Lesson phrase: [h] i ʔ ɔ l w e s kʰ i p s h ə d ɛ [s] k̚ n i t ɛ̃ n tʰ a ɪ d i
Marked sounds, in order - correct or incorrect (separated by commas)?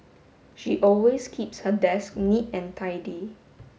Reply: incorrect, correct